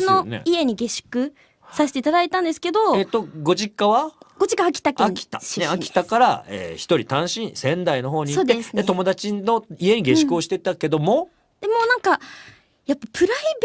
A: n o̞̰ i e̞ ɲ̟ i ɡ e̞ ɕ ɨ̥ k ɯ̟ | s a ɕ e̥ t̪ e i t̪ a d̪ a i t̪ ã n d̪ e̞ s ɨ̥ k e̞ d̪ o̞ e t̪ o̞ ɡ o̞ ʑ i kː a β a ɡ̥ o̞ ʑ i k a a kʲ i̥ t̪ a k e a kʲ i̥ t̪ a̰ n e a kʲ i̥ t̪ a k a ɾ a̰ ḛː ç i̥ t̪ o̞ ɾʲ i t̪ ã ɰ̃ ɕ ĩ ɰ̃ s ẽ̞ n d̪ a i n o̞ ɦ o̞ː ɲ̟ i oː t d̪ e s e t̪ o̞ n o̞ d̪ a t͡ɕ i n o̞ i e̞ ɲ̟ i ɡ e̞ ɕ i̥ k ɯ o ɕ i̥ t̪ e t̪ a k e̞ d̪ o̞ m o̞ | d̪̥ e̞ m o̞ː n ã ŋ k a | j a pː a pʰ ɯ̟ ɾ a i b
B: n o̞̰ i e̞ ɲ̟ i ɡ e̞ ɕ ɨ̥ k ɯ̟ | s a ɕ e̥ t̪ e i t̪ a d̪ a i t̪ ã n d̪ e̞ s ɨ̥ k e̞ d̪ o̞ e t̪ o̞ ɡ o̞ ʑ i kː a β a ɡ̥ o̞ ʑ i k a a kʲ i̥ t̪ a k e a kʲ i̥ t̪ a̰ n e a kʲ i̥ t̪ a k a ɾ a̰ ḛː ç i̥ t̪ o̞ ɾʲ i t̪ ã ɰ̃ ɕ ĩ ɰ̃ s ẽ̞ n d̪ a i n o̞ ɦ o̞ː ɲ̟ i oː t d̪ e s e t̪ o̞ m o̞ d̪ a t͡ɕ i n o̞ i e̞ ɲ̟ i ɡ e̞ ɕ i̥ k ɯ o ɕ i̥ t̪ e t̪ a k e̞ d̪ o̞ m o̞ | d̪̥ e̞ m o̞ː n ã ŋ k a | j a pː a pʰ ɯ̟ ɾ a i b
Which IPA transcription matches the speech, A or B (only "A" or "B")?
B